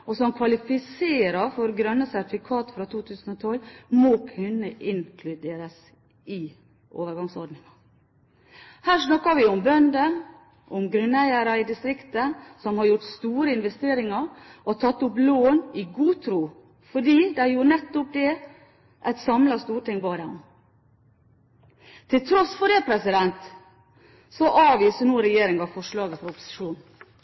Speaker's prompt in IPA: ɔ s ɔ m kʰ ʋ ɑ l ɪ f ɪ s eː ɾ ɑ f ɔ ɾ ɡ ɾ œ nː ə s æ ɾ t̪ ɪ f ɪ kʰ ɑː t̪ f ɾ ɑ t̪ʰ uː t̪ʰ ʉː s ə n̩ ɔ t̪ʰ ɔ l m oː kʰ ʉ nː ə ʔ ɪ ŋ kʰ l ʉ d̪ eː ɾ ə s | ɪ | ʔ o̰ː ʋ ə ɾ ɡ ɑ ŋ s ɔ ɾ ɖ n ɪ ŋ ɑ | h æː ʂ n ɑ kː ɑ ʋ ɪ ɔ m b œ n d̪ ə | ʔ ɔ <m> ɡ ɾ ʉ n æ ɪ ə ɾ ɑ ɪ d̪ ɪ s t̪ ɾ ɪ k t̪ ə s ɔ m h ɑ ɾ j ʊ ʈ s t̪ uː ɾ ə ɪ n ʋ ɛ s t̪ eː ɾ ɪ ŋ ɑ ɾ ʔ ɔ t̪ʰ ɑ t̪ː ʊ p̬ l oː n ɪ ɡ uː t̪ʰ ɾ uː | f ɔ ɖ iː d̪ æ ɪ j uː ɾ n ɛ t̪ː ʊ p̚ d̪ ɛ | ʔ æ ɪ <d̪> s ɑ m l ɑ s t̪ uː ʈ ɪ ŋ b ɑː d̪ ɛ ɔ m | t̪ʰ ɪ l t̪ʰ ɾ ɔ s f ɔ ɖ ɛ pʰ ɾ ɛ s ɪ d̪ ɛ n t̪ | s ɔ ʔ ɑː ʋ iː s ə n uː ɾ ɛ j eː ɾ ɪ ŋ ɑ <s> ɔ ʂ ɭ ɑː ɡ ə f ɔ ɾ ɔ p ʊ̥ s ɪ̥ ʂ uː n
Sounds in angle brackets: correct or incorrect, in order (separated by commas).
correct, incorrect, incorrect